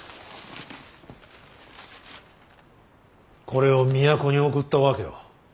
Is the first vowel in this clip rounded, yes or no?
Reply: yes